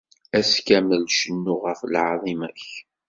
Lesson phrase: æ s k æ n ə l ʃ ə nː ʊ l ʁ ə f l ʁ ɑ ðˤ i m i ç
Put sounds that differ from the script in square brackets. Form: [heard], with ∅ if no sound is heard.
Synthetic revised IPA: æ s k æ [m] ə l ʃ ə nː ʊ [∅] ʁ ə f l [ʕ] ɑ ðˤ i m [æ] ç